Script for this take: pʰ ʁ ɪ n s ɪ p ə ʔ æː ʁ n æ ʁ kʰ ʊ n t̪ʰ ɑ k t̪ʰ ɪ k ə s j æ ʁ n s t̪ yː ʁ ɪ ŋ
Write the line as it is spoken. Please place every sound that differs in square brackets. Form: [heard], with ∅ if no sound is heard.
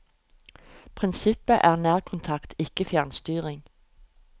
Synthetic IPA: pʰ ʁ ɪ n s ɪ p ə ʔ æː ʁ n [æː] ʁ kʰ ʊ n t̪ʰ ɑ k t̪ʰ ɪ k ə [f] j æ ʁ n s t̪ yː ʁ ɪ ŋ